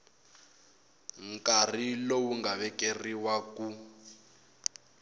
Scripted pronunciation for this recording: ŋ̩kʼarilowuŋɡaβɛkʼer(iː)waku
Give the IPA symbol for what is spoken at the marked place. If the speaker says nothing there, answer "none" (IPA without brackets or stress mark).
i